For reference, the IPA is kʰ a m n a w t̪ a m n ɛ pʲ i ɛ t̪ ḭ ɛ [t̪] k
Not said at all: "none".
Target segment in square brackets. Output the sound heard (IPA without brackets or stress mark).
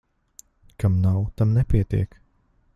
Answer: none